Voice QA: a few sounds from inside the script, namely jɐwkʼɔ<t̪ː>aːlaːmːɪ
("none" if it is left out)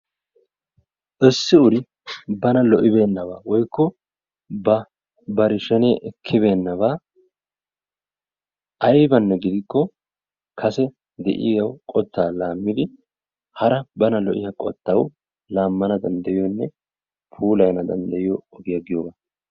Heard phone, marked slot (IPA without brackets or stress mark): t̪ː